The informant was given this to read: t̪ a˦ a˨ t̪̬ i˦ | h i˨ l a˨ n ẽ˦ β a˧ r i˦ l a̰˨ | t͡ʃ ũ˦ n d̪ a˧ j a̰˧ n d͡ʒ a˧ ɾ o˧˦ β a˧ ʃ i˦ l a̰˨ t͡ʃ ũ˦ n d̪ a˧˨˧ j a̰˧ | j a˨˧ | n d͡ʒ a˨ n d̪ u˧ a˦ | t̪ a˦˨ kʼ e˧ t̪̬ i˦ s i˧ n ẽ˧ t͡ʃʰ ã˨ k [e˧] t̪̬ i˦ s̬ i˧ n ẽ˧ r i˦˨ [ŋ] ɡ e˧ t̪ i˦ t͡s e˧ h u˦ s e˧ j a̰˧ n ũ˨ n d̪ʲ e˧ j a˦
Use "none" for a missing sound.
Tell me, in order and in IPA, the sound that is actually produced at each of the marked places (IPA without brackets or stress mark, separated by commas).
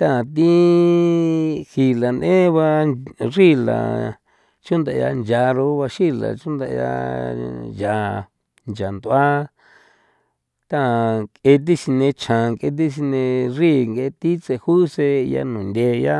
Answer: e˧, ŋ